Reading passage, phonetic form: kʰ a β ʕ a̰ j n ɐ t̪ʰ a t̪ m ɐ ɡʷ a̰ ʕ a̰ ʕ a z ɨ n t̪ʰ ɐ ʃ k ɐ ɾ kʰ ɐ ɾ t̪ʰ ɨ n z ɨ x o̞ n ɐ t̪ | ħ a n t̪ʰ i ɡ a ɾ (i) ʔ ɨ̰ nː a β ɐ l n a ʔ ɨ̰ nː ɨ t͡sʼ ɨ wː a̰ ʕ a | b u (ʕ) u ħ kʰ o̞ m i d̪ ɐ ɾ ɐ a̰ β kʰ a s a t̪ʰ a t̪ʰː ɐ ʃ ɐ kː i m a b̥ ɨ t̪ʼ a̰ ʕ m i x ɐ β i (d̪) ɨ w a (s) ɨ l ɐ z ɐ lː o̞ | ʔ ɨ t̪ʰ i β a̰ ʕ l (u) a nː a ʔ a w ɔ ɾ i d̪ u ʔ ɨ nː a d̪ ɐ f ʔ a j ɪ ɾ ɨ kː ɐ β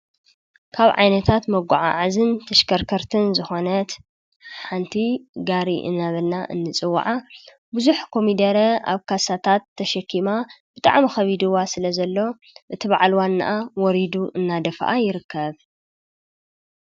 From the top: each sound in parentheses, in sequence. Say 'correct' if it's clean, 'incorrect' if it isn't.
correct, incorrect, correct, correct, incorrect

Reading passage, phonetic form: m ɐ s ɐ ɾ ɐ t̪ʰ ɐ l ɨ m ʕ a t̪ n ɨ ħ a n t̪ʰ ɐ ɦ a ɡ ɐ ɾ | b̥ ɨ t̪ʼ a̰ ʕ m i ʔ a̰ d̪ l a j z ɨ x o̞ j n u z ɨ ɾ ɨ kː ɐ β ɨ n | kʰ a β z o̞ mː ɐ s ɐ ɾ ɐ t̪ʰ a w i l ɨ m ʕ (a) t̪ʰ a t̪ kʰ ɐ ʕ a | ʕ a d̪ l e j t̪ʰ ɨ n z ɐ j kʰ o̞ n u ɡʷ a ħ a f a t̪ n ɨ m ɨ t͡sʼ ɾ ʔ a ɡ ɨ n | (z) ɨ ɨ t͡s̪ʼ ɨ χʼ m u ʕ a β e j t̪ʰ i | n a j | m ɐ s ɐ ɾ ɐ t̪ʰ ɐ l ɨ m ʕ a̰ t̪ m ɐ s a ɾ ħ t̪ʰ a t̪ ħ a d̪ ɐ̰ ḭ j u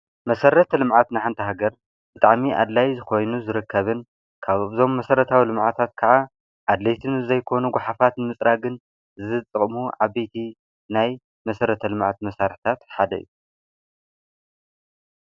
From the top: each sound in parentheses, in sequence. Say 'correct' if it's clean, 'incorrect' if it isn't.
correct, correct

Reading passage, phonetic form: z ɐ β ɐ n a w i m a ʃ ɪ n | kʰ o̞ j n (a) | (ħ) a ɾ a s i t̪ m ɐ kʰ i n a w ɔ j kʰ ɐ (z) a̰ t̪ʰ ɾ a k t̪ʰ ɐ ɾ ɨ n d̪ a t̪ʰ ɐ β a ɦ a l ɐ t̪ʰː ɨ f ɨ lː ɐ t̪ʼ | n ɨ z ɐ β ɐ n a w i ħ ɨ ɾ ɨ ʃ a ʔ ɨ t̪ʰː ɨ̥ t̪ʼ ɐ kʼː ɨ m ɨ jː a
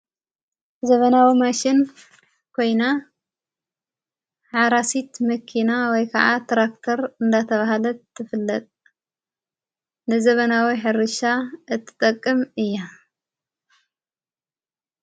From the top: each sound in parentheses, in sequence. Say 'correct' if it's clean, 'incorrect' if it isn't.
correct, correct, incorrect

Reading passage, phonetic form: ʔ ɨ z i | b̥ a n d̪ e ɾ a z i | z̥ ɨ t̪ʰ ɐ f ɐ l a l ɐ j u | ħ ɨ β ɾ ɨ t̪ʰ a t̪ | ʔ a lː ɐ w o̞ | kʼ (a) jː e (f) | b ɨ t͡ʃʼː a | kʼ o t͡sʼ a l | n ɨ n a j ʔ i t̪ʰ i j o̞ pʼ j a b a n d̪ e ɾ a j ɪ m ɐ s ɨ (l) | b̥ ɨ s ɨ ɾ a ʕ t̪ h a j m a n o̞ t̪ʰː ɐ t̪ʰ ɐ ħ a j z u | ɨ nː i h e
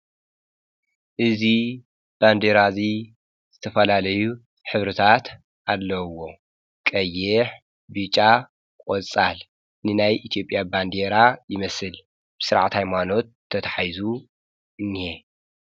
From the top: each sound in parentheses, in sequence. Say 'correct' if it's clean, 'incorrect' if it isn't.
incorrect, incorrect, correct

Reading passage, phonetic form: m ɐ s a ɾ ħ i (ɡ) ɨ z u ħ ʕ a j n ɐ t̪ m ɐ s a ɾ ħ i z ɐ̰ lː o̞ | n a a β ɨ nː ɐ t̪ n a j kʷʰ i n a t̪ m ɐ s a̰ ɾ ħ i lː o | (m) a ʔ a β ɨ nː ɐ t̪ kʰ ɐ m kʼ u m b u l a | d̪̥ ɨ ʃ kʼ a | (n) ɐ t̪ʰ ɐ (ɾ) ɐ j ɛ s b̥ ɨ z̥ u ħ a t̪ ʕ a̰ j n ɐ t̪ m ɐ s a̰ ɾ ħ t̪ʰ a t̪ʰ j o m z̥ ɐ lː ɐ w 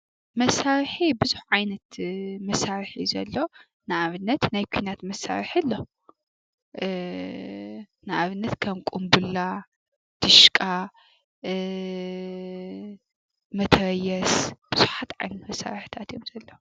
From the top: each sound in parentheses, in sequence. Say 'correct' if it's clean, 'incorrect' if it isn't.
incorrect, incorrect, incorrect, correct

